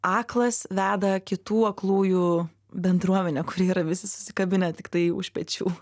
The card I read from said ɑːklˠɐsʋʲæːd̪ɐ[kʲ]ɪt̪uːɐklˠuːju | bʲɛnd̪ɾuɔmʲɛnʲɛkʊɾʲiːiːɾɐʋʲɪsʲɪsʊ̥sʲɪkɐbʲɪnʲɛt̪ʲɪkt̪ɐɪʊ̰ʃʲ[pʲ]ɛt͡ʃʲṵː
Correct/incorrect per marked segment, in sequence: correct, correct

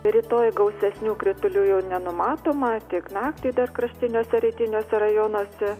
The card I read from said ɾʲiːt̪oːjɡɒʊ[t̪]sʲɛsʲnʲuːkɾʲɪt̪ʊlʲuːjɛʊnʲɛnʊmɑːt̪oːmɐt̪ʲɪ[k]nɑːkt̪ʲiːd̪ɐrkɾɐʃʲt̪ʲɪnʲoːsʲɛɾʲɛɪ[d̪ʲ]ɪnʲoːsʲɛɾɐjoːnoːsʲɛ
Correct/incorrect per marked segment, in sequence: incorrect, correct, incorrect

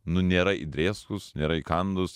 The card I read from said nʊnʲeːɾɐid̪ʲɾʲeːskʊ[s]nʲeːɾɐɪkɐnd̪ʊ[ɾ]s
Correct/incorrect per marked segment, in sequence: correct, incorrect

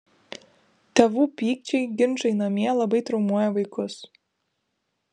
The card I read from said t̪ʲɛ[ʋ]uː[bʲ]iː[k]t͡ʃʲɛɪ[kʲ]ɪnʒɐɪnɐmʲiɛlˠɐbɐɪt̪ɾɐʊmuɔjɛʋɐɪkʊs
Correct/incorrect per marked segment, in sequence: correct, incorrect, correct, incorrect

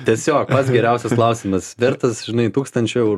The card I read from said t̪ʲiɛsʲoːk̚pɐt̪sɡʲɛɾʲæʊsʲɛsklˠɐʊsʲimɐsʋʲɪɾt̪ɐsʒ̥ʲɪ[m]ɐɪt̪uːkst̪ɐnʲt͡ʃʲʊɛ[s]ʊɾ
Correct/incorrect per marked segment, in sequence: incorrect, incorrect

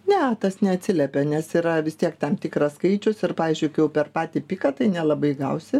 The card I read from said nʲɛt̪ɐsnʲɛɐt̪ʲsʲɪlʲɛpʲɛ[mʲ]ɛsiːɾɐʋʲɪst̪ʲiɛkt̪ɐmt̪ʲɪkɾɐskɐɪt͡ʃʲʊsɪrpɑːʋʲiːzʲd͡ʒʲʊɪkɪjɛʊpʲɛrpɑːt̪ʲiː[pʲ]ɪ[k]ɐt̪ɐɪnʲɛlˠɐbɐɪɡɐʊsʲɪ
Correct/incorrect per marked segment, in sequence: incorrect, correct, correct

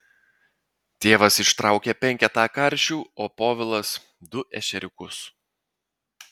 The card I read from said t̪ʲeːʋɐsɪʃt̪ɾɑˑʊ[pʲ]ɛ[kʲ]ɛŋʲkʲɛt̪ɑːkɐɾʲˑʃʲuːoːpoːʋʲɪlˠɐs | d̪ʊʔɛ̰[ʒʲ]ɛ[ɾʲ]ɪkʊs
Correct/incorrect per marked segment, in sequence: incorrect, incorrect, incorrect, correct

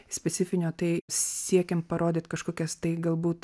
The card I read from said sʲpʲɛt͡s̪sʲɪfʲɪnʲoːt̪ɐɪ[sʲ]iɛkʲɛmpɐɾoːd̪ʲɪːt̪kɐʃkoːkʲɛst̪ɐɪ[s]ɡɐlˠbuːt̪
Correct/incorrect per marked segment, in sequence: correct, incorrect

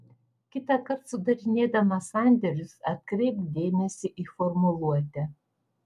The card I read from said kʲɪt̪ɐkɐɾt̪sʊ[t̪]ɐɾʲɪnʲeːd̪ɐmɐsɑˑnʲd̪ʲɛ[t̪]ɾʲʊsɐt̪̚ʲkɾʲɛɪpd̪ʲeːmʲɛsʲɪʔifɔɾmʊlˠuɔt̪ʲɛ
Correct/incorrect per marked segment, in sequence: incorrect, incorrect

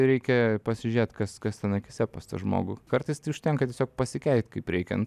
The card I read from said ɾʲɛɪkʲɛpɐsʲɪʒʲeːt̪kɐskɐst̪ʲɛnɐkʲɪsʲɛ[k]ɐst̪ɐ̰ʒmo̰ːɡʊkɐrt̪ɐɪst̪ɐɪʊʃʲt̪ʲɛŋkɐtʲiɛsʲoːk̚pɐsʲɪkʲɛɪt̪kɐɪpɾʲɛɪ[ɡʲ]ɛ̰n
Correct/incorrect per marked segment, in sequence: incorrect, incorrect

